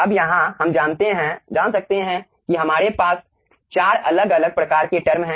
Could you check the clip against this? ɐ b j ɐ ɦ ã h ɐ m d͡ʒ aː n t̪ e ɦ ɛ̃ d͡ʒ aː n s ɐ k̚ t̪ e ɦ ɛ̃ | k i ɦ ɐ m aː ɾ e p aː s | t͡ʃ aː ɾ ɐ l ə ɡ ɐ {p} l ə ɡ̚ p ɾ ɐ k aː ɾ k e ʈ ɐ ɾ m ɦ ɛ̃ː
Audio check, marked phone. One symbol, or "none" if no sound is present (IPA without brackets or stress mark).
none